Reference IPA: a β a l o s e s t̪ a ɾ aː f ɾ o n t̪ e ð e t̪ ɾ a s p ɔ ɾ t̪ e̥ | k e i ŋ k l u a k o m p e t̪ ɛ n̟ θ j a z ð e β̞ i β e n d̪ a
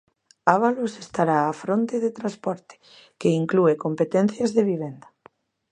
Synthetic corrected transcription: a β a l o s e s t̪ a ɾ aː f ɾ o n t̪ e ð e t̪ ɾ a s p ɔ ɾ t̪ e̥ | k e i ŋ k l u e k o m p e t̪ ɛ n̟ θ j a z ð e β̞ i β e n d̪ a